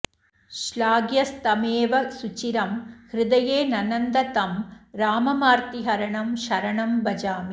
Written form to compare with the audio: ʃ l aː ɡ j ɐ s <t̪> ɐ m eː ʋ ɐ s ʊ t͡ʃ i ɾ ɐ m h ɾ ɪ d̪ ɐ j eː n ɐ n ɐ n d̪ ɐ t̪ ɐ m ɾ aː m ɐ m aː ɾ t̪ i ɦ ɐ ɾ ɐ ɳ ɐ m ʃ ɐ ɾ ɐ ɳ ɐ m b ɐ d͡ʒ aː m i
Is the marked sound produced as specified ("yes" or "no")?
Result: yes